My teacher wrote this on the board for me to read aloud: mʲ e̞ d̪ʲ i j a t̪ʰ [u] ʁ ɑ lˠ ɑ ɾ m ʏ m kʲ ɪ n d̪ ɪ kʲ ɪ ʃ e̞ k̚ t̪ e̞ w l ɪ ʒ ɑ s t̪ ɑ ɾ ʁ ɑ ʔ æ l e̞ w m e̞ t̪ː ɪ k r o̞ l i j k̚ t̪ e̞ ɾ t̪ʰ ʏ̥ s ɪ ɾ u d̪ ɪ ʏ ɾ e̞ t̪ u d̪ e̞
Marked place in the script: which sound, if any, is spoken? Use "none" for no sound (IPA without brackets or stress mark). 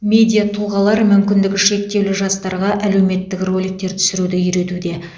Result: u